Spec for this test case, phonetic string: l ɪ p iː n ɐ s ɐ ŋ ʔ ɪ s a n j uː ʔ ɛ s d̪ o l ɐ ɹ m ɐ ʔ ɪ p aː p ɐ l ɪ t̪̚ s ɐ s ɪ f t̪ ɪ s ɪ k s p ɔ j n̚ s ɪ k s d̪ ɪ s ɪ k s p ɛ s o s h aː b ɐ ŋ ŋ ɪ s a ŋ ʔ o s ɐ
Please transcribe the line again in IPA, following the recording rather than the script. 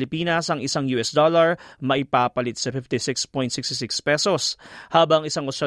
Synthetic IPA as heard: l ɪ p iː n ɐ s ɐ ŋ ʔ ɪ s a ŋ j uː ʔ ɛ s d̪ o l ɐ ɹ m ɐ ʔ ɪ p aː p ɐ l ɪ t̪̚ s ɐ f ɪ f t̪ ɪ s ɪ k s p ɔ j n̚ s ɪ k s t̪ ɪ s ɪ k s p ɛ s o s h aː b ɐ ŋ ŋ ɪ s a ŋ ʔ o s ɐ